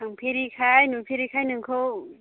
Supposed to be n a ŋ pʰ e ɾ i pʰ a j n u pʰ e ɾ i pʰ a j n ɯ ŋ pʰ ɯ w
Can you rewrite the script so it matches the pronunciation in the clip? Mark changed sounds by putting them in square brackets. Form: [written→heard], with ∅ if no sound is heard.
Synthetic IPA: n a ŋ pʰ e ɾ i [pʰ→kʰ] a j n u pʰ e ɾ i [pʰ→kʰ] a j n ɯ ŋ [pʰ→kʰ] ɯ w